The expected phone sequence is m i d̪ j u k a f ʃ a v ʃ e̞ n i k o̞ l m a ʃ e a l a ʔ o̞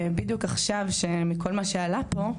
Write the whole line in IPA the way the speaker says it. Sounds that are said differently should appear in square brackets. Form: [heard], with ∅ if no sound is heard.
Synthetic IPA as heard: [b] i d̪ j u k a [χ] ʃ a v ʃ e̞ [m] i k o̞ l m a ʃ e a l a [p] o̞